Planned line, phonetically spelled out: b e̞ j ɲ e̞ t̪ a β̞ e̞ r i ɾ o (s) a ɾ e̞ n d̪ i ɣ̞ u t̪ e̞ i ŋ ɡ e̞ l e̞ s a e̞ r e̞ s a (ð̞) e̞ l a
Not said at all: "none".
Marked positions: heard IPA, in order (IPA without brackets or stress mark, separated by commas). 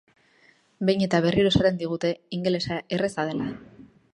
s, ð̞